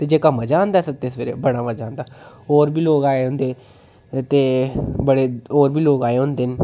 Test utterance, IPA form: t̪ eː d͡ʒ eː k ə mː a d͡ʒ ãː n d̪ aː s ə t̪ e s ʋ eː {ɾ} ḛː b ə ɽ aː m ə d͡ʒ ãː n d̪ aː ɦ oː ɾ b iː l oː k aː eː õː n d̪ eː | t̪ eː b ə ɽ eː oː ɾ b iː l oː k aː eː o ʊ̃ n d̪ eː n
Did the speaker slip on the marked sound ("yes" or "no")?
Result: no